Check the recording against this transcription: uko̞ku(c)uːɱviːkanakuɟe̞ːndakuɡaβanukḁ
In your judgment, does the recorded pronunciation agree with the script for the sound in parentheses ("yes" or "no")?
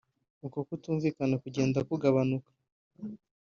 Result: no